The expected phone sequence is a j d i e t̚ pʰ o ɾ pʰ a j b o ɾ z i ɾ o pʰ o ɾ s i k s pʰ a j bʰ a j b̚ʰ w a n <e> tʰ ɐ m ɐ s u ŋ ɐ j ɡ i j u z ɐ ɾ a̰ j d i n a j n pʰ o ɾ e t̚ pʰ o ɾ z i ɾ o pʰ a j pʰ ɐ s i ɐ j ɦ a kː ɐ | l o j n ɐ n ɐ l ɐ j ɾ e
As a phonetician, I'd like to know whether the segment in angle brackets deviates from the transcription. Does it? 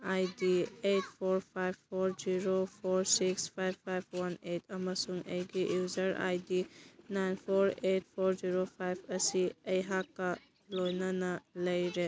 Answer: no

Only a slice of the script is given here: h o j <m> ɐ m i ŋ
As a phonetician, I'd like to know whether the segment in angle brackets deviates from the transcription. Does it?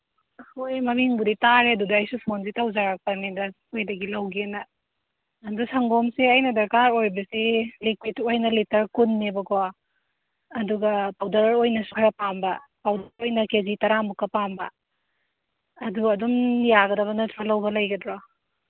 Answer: no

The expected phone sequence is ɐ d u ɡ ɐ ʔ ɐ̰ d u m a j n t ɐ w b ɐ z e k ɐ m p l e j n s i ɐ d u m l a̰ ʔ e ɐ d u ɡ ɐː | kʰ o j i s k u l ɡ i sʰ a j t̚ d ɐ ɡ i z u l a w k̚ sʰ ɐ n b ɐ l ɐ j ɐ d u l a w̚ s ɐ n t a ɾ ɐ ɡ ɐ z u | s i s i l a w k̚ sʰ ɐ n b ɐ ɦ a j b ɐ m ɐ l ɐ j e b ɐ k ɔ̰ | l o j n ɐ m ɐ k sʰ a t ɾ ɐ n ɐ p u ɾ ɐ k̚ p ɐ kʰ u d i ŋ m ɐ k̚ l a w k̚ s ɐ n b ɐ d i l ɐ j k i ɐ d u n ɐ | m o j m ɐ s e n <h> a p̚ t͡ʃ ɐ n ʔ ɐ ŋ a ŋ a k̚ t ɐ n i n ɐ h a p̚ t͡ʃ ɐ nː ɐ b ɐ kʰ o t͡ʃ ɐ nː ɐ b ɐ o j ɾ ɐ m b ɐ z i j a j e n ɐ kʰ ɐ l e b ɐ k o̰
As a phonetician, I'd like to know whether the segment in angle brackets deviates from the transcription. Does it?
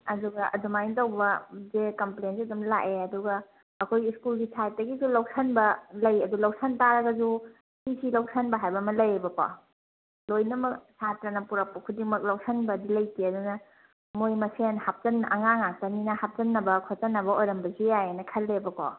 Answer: no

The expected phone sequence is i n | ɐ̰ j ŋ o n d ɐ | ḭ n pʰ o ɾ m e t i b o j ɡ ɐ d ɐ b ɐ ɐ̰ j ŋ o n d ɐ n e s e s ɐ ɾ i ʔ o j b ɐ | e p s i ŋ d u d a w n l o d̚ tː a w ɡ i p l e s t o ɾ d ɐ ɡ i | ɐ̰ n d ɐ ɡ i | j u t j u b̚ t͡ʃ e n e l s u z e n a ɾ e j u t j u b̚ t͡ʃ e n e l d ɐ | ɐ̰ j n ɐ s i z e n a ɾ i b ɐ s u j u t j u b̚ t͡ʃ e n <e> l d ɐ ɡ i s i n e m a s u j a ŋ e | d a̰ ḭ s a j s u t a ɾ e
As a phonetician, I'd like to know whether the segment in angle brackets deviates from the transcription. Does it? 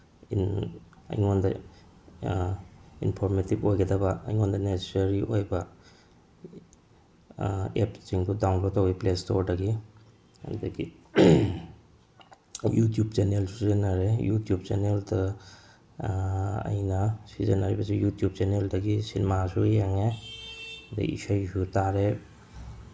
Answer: no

